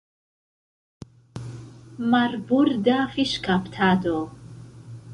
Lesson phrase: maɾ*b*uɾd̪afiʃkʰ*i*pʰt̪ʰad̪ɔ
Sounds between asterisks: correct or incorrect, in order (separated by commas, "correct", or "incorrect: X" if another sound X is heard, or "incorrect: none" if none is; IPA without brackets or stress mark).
correct, incorrect: a